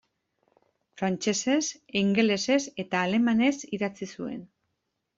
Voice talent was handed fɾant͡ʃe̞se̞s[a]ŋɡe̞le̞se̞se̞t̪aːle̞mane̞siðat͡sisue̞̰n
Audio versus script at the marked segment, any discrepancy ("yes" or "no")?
yes